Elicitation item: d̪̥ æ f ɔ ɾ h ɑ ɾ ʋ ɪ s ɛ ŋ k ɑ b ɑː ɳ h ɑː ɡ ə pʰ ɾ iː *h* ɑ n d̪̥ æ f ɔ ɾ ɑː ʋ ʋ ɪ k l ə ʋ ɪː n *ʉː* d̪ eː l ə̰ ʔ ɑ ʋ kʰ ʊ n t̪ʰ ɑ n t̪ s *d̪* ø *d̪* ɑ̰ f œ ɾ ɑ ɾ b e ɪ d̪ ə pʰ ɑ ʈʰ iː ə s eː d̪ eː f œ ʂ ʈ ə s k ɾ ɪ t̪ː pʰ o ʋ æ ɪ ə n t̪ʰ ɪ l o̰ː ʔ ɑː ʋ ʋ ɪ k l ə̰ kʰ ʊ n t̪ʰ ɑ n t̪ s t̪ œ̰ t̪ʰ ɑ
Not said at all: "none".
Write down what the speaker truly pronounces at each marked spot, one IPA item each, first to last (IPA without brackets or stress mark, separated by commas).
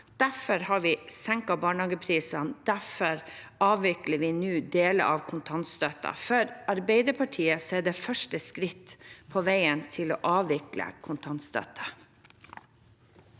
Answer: s, ʉː, t̪, t̪